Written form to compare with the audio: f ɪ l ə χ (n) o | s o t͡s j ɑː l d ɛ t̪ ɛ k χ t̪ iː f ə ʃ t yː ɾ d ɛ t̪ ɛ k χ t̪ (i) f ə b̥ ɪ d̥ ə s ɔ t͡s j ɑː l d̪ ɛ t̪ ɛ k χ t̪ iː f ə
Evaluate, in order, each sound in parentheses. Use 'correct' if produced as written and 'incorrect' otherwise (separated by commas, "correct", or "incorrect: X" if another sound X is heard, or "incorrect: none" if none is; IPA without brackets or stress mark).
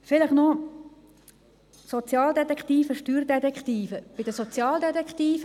correct, incorrect: iː